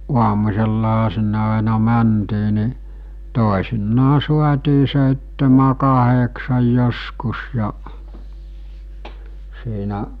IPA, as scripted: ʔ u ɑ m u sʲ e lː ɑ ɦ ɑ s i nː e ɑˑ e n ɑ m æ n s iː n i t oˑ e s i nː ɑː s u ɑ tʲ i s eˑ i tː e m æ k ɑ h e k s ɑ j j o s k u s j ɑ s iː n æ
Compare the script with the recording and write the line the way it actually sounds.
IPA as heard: ʔ u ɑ m u sʲ e lː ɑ ɦ ɑ s i nː e ɑˑ e n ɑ m æ n t iː n i t oˑ e s i nː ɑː s u ɑ tʲ iː s eˑ i tː e m æ k ɑ h e k s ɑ j j o s k u s j ɑ s iː n æ